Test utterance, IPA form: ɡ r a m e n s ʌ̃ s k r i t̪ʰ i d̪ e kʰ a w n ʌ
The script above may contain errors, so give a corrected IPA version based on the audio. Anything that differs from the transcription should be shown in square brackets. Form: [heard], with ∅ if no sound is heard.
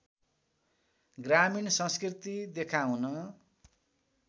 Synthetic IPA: ɡ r a m [i] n s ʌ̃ s k r i [t̪] i d̪ e kʰ a w n ʌ

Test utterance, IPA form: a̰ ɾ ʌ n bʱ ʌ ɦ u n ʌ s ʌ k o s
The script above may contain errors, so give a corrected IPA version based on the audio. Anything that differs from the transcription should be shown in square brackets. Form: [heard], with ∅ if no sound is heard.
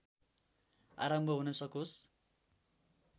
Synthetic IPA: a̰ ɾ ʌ [m] bʱ ʌ ɦ u n ʌ s ʌ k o s

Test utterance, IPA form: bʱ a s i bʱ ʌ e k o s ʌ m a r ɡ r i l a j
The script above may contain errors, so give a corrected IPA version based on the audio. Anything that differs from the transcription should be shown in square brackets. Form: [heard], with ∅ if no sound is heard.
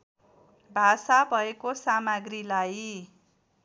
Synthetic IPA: bʱ a s [a] bʱ ʌ e k o s [a] m a [∅] ɡ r i l a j

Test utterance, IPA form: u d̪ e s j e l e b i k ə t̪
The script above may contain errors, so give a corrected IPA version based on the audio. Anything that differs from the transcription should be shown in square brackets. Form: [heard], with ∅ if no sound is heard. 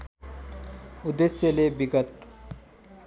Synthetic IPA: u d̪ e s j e l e b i [ɡ] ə t̪

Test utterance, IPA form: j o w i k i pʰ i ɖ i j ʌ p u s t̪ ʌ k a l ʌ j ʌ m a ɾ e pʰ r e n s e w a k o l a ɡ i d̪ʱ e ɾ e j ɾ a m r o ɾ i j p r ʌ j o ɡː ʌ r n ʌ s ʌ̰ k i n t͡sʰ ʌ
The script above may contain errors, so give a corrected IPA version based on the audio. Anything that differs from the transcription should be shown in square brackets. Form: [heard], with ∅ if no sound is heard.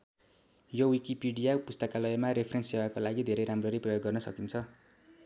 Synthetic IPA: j o w i k i [p] i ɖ i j [a] p u s t̪ ʌ k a l ʌ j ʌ m a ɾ e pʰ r e n s e w a k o l a ɡ i d̪ʱ e ɾ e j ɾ a m r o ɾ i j p r ʌ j o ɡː ʌ r n ʌ s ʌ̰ k i n t͡sʰ ʌ

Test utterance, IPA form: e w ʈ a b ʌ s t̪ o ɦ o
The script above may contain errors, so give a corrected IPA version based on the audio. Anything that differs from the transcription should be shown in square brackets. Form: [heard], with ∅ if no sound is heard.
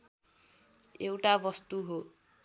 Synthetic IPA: e w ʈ a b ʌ s t̪ [u] ɦ o

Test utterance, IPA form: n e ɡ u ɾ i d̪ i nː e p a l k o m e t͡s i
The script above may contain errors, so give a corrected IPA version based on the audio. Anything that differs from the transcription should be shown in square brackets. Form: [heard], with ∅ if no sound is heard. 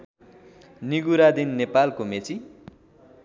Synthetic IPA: n [i] ɡ u ɾ [a] d̪ i nː e p a l k o m e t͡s i

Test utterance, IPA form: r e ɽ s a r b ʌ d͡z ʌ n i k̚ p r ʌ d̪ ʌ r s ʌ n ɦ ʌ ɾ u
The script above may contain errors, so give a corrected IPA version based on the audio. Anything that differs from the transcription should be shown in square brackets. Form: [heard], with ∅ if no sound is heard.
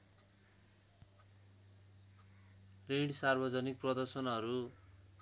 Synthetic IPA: r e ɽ s a r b ʌ d͡z ʌ n i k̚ p r ʌ d̪ ʌ r s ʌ n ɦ ʌ ɾ u

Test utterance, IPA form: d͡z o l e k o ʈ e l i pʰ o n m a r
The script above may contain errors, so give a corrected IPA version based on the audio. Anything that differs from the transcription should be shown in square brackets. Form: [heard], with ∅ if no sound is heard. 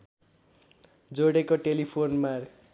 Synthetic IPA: d͡z o [ɽ] e k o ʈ e l i pʰ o n m a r

